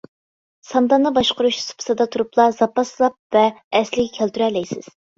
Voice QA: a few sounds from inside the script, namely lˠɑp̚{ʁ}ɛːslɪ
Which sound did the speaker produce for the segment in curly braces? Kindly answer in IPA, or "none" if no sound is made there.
v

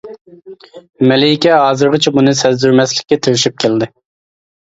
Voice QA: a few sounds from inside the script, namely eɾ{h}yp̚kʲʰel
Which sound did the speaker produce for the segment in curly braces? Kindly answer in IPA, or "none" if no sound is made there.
ʃ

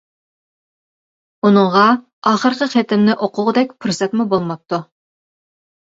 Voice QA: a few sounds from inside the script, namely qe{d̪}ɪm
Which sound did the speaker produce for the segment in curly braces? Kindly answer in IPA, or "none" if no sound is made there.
t̪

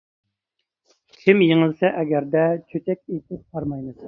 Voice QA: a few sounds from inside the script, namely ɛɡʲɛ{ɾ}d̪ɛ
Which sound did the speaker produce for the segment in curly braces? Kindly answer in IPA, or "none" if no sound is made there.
ɾ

